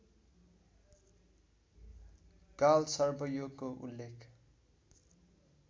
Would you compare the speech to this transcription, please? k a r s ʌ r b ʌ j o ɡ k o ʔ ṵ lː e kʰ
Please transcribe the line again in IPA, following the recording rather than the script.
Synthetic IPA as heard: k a l s ʌ r b ʌ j o ɡ k o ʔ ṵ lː e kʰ